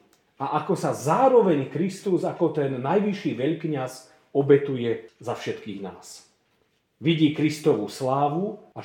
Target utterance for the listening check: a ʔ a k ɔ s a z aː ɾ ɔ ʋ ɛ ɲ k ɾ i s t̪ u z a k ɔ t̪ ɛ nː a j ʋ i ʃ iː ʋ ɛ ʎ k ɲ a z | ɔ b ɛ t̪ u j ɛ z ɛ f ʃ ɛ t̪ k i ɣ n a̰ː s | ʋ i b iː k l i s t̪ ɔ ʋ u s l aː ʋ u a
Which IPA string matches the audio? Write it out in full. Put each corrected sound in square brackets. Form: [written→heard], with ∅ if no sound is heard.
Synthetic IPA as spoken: a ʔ a k ɔ s a z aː ɾ ɔ ʋ ɛ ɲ k ɾ i s t̪ u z a k ɔ t̪ ɛ nː a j ʋ i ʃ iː ʋ ɛ ʎ k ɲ a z | ɔ b ɛ t̪ u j ɛ z [ɛ→a] f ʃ ɛ t̪ k [i→iː] ɣ n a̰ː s | ʋ i [b→ɟ] iː k [l→ɾ] i s t̪ ɔ ʋ u s l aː ʋ u a